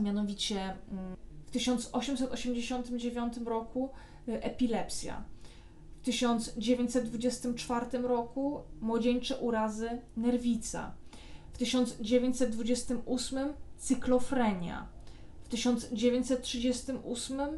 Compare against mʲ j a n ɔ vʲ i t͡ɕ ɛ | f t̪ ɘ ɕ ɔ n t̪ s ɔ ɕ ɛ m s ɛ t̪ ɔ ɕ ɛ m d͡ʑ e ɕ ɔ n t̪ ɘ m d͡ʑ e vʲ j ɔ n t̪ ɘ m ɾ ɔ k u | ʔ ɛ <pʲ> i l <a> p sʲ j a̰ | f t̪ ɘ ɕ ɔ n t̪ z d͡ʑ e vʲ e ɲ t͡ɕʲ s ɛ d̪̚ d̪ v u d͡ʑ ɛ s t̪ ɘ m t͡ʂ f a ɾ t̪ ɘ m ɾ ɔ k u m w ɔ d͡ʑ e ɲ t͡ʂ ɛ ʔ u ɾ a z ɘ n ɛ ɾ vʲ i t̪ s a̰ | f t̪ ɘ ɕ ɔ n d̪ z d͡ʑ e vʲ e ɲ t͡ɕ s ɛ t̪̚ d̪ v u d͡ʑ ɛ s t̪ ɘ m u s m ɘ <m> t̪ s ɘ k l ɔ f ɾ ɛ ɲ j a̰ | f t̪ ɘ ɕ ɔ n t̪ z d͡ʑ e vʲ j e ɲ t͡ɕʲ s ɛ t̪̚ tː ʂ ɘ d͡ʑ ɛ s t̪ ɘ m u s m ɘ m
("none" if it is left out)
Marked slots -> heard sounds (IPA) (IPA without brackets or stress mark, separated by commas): pʲ, ɛ, m